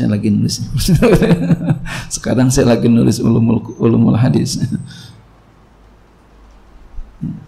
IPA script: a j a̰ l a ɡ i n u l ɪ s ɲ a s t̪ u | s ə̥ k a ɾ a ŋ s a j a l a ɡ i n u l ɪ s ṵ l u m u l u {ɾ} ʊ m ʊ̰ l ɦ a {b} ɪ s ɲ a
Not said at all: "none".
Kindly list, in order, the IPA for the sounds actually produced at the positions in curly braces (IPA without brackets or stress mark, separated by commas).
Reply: l, d